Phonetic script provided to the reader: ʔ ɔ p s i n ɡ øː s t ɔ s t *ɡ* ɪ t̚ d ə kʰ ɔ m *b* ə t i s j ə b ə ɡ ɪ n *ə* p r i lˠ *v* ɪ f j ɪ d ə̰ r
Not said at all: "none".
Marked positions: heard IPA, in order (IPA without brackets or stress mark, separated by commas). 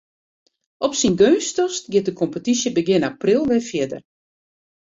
ɡ, p, a, ʋ